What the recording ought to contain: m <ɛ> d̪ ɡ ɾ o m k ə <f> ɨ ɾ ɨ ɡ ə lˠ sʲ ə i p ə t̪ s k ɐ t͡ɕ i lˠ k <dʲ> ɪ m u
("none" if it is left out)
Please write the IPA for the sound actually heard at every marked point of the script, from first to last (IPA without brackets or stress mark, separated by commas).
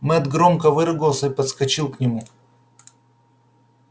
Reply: ɛ, v, nʲ